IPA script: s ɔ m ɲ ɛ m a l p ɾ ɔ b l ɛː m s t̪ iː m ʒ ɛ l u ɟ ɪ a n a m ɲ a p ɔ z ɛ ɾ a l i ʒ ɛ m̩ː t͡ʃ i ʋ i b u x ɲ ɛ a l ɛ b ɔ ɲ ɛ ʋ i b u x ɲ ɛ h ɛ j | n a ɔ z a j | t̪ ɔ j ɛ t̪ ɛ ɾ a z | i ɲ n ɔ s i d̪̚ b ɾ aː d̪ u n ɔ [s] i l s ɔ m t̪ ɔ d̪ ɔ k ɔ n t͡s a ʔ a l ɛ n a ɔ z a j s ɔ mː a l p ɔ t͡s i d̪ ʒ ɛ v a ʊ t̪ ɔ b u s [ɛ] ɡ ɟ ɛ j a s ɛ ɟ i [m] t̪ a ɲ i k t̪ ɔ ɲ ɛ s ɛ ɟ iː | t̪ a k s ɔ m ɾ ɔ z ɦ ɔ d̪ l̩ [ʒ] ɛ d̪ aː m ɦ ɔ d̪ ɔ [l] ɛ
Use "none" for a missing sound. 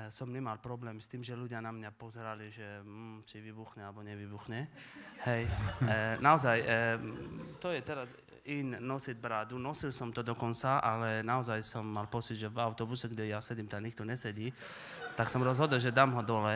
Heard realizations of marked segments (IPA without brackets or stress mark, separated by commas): s, ɛ, m, ʒ, l